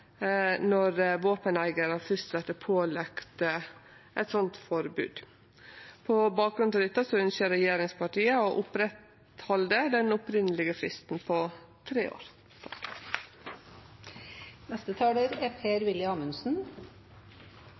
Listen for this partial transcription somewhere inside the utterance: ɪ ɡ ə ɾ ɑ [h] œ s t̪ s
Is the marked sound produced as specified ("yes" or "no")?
no